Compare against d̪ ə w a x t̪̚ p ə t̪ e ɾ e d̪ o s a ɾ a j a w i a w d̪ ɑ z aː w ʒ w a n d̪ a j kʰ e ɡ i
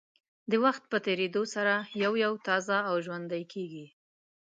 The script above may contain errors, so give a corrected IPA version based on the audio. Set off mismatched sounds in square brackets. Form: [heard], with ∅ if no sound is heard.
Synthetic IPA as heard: d̪ ə w a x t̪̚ p ə t̪ e ɾ e d̪ o s a ɾ a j a w [j] a w [t̪] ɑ z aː w ʒ w a n d̪ a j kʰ e ɡ i